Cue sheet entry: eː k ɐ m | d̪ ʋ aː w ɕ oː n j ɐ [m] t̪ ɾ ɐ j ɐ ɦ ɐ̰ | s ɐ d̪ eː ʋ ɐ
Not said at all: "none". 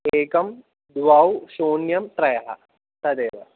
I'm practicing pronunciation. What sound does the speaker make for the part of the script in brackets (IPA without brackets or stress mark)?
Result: m